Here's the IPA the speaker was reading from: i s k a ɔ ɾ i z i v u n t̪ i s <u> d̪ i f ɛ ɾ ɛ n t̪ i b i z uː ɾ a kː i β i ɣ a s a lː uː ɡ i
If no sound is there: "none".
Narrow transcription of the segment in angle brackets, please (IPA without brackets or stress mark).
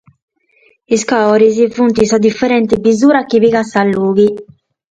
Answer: ɔ